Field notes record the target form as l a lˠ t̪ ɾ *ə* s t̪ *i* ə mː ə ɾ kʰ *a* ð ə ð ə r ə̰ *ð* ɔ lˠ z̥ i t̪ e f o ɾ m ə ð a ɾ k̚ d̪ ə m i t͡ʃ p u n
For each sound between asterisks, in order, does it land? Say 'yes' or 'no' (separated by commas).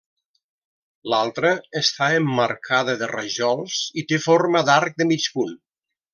no, no, yes, no